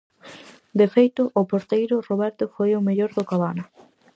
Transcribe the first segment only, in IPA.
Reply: d̪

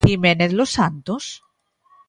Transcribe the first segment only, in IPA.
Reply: i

